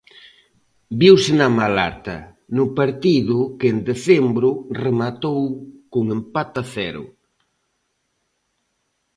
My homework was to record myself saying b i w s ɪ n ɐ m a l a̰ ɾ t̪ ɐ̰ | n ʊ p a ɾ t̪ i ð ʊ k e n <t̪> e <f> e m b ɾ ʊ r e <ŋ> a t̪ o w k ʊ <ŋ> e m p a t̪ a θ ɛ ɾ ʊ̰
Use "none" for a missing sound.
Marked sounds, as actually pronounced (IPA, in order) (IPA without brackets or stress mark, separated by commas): d̪, θ, m, ŋ